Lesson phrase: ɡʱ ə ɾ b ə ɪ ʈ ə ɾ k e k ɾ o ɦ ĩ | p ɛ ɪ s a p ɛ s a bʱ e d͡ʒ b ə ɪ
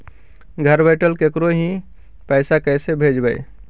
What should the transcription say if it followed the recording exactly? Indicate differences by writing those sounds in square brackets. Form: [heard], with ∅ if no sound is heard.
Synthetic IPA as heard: ɡʱ ə ɾ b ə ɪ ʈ ə [l] k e k ɾ o ɦ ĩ | p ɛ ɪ s a [k] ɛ s [e] bʱ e d͡ʒ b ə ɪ